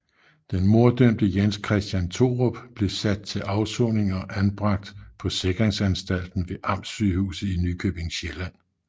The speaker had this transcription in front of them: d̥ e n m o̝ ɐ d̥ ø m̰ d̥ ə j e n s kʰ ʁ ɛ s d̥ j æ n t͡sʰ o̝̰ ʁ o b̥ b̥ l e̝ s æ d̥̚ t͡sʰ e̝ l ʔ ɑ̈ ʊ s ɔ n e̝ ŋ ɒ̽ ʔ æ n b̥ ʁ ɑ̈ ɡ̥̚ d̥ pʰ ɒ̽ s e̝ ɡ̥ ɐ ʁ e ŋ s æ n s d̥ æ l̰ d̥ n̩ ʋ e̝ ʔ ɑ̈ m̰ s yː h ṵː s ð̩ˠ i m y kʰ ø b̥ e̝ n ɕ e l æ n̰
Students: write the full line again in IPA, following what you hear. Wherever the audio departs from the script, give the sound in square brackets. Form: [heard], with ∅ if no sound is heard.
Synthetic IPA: d̥ e n m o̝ ɐ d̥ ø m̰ d̥ ə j e n s kʰ ʁ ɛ s d̥ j æ n t͡sʰ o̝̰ ʁ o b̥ b̥ l e̝ s æ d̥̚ t͡sʰ e̝ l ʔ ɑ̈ ʊ s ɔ n e̝ ŋ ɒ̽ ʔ æ n b̥ ʁ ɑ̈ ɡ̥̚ d̥ pʰ ɒ̽ s e̝ ɡ̥ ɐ ʁ e ŋ s æ n s d̥ æ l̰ d̥ n̩ ʋ e̝ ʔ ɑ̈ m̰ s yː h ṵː s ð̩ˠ i [n] y kʰ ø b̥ e̝ [ŋ] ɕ e l æ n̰